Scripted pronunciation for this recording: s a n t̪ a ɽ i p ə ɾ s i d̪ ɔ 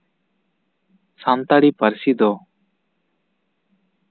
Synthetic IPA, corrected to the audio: s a n t̪ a ɽ i p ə ɾ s i d̪ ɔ